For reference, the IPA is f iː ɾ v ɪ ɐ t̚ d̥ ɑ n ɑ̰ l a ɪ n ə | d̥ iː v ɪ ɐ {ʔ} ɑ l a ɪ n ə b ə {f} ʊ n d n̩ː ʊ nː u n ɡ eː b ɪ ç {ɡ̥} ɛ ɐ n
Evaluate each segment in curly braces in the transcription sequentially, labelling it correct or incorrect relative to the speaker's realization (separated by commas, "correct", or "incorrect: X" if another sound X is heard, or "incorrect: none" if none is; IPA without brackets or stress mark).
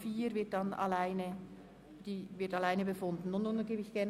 incorrect: t, correct, correct